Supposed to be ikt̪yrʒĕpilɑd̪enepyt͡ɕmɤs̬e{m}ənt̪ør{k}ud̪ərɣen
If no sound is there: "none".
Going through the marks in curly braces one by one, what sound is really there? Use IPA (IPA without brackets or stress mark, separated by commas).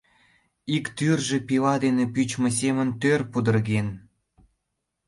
m, p